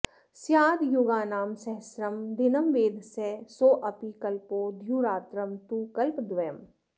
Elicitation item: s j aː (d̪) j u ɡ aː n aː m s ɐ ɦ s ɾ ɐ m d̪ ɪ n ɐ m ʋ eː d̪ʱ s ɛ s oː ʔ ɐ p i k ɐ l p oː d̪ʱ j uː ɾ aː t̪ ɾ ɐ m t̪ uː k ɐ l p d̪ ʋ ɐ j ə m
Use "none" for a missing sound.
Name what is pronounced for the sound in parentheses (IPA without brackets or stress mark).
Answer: d̪